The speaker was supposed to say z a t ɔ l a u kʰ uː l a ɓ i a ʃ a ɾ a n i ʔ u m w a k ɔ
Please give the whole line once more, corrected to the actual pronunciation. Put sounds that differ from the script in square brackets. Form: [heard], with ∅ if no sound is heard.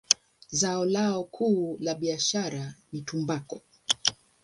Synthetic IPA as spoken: z a [∅] ɔ l a [ɔ] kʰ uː l a ɓ i a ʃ a ɾ a n i [t] u m [b] a k ɔ